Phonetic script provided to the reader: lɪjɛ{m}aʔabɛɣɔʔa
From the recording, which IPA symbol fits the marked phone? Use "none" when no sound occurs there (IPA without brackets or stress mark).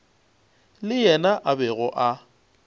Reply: n